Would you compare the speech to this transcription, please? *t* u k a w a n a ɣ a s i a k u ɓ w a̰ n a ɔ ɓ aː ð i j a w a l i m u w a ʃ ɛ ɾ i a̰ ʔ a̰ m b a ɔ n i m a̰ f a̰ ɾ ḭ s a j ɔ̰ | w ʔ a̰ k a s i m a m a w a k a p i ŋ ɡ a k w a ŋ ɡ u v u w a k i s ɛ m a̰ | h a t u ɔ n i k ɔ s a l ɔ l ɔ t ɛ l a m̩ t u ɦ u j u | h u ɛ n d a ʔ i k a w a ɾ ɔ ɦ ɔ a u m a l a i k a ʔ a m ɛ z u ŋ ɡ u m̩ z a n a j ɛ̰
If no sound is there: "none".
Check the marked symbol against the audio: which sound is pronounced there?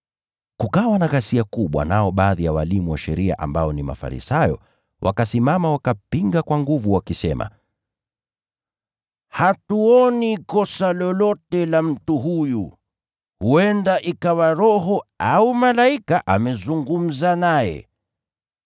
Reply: k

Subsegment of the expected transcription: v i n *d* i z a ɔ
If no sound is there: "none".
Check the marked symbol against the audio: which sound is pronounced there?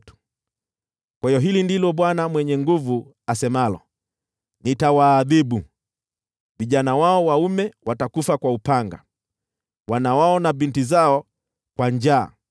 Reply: t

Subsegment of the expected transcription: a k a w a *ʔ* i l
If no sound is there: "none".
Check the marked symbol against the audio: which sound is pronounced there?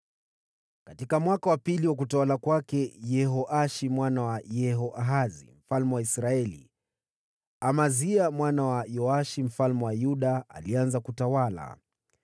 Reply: p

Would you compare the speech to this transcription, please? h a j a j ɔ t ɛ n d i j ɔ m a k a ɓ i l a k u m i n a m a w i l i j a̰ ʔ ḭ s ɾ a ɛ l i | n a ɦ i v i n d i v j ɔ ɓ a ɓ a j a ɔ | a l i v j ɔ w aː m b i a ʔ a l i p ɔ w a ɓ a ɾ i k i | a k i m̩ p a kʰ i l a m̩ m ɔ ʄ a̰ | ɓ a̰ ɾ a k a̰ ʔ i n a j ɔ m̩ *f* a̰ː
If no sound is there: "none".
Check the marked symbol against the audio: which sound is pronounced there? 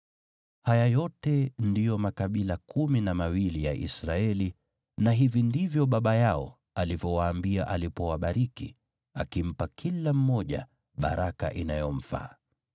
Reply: f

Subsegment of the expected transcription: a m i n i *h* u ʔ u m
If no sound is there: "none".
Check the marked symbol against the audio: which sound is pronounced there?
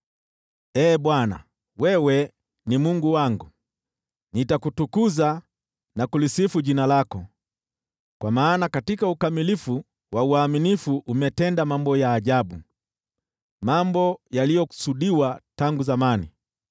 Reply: f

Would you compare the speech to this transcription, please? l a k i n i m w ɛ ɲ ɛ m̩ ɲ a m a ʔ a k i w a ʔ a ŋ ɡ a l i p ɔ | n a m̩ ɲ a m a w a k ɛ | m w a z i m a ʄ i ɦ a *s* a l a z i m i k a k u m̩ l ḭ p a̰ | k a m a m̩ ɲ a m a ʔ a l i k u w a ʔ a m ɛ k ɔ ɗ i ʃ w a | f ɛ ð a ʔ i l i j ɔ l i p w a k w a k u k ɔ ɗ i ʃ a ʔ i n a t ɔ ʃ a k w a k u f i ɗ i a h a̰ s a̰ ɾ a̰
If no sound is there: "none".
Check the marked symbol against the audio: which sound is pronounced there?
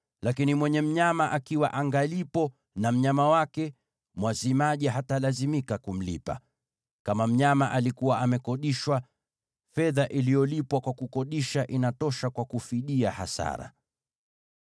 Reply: t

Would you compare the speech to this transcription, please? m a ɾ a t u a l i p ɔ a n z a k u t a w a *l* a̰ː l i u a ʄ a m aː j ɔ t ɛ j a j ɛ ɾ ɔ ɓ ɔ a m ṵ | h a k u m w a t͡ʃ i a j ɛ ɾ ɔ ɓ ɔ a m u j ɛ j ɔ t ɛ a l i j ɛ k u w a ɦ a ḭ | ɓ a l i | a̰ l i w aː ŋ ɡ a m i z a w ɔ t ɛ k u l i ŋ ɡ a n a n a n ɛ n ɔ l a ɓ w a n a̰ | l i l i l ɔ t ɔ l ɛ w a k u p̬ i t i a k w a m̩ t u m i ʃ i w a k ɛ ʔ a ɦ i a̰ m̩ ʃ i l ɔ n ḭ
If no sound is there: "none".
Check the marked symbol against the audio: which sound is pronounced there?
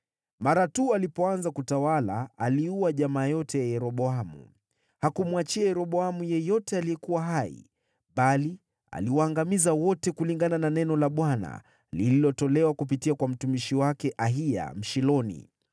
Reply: l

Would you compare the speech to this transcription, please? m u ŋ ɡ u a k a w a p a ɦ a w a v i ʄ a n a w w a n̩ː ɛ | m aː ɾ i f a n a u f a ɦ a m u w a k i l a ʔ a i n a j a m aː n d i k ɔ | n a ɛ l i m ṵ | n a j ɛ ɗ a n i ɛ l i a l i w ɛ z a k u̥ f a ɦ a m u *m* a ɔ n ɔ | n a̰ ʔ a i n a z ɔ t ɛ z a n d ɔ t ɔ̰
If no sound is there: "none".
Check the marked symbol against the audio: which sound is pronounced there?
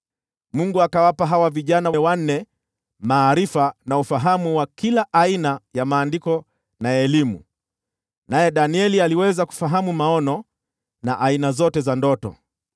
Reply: m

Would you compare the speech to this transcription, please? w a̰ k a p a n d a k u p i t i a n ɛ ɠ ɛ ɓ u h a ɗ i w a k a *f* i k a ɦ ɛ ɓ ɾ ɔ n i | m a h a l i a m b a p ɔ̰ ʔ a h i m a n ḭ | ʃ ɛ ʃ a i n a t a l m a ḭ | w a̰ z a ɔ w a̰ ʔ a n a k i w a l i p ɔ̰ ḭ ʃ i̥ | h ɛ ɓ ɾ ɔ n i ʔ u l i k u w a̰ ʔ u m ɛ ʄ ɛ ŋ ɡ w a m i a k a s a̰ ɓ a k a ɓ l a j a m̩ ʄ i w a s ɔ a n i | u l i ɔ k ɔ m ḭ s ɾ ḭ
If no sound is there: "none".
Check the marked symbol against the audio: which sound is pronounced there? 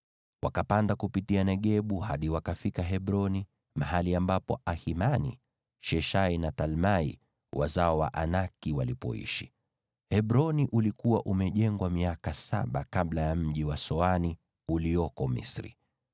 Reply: f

